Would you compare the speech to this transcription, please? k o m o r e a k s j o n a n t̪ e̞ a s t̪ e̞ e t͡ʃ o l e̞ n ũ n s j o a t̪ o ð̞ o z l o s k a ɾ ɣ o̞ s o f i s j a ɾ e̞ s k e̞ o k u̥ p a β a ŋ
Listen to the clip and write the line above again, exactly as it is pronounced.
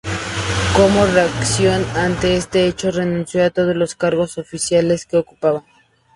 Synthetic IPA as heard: k o m o r e a k s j o n a n t̪ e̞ e s t̪ e̞ e t͡ʃ o r e̞ n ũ n s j o a t̪ o ð̞ o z l o s k a ɾ ɣ o̞ s o f i s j a l e̞ s k e̞ o k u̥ p a β a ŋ